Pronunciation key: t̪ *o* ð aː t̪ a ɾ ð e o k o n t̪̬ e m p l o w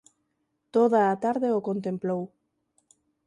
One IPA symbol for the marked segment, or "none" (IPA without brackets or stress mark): o